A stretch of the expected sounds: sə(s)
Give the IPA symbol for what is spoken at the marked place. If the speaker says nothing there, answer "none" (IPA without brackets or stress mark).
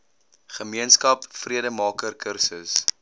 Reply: s